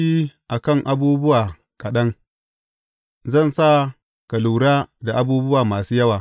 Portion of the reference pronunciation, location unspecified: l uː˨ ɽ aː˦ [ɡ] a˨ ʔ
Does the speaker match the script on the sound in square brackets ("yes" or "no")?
no